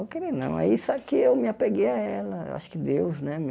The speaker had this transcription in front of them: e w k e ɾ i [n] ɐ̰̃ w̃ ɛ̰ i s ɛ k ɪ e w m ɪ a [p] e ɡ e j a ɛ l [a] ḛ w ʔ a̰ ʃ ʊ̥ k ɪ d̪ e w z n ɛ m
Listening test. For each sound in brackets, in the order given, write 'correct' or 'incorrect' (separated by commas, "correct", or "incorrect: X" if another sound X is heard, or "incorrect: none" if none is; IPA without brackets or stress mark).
correct, correct, incorrect: ɐ